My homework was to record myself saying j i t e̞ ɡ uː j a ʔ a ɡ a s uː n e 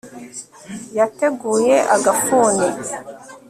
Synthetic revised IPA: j a t e̞ ɡ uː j e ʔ a ɡ a f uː n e

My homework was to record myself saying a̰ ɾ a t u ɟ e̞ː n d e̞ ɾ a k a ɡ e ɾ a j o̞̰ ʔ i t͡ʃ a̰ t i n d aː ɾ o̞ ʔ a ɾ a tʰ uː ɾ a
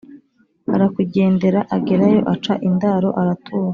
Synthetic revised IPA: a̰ ɾ a k u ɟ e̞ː n d e̞ ɾ a ʔ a ɡ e ɾ a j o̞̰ ʔ a t͡ʃ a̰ ʔ i n d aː ɾ o̞ ʔ a ɾ a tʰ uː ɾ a

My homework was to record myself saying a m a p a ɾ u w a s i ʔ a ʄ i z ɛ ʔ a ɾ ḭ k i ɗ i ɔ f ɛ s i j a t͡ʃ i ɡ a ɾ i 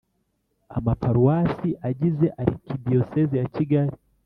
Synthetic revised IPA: a m a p a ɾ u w a s i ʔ a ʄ i z ɛ ʔ a ɾ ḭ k i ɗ i ɔ s ɛ z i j a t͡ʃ i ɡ a ɾ i

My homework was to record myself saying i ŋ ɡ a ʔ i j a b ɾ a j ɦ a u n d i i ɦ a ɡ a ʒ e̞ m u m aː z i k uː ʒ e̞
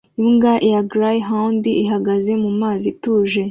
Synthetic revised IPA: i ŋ ɡ a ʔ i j a ɡ ɾ a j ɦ a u n d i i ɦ a ɡ a z e̞ m u m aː z i t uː ʒ e̞

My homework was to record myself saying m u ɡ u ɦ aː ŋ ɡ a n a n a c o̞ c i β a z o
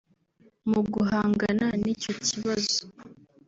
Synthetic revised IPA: m u ɡ u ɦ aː ŋ ɡ a n a n i c o̞ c i β a z o

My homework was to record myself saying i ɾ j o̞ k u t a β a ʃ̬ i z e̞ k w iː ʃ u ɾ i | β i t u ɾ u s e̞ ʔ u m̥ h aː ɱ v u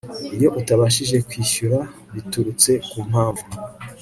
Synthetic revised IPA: i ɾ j o̞ ʔ u t a β a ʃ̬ i ʒ e̞ k w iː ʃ u ɾ a | β i t u ɾ u t͡s e̞ k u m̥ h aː ɱ v u

